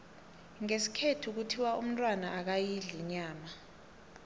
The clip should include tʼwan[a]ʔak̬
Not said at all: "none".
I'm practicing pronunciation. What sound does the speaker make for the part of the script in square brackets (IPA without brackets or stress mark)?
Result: a